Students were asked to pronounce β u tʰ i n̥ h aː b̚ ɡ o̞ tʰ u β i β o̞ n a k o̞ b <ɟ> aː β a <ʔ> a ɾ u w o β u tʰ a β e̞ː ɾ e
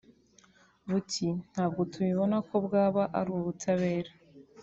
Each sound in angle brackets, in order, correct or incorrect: incorrect: ɡ, correct

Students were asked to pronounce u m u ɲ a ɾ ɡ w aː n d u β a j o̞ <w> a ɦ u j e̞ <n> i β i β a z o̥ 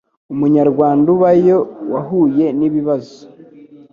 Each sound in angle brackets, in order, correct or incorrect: correct, correct

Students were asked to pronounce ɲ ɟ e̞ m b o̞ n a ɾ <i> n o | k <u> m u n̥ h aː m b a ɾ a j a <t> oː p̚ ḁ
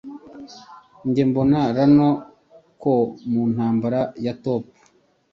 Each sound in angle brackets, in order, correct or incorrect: incorrect: a, incorrect: o, correct

